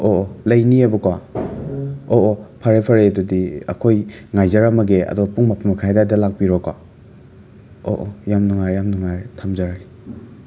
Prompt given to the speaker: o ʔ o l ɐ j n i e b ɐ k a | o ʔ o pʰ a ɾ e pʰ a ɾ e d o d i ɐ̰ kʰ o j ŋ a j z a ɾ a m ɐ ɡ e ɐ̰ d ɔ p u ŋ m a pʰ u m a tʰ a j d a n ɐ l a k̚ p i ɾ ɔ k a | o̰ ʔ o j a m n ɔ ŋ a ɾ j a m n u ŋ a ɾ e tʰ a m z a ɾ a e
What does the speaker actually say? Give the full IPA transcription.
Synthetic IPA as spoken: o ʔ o l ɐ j n i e b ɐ k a | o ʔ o pʰ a ɾ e pʰ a ɾ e d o d i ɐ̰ kʰ o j ŋ a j z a ɾ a m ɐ ɡ e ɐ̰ d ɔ p u ŋ m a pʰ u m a kʰ a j d a d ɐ l a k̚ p i ɾ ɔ k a | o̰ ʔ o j a m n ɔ ŋ a ɾ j a m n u ŋ a ɾ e tʰ a m z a ɾ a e